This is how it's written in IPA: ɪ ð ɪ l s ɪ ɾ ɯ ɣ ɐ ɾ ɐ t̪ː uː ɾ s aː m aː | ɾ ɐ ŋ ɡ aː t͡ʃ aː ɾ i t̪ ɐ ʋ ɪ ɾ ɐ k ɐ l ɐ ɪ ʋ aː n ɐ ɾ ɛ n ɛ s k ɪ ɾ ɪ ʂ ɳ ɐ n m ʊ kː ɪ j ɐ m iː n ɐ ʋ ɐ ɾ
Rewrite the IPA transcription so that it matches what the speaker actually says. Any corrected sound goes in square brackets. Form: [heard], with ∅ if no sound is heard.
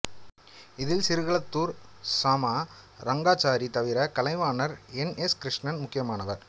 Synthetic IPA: ɪ ð ɪ l s ɪ ɾ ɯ ɣ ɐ [ɭ] ɐ t̪ː uː ɾ s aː m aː | ɾ ɐ ŋ ɡ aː t͡ʃ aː ɾ i t̪ ɐ ʋ ɪ ɾ ɐ k ɐ l ɐ ɪ ʋ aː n ɐ ɾ ɛ n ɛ s k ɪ ɾ ɪ ʂ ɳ ɐ n m ʊ kː ɪ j ɐ m [aː] n ɐ ʋ ɐ ɾ